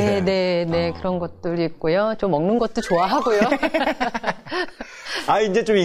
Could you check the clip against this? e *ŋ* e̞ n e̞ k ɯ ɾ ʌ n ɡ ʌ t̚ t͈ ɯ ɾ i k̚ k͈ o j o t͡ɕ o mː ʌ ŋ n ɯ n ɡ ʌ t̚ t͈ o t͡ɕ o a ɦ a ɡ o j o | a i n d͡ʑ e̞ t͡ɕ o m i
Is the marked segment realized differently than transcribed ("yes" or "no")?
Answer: yes